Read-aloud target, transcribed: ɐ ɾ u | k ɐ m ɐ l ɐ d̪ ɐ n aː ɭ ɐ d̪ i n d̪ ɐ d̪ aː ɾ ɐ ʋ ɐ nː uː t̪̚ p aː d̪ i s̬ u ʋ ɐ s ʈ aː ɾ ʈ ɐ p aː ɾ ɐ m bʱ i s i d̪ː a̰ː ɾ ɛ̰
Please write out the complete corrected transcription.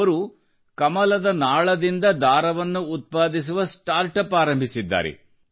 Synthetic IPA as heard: ɐ ɾ u | k ɐ m ɐ l ɐ d̪ ɐ n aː ɭ ɐ d̪ i n d̪ ɐ d̪ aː ɾ ɐ ʋ ɐ nː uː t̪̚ p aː d̪ i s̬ u ʋ ɐ s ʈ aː ɾ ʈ ɐ p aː ɾ ɐ m bʱ i s i d̪ː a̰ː ɾ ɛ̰